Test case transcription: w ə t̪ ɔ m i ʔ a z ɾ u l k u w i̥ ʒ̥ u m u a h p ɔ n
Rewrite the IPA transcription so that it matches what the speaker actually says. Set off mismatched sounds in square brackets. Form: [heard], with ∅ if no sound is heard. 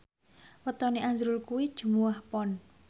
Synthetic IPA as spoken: w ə t̪ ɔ [n] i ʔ a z ɾ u l k u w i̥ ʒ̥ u m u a h p ɔ n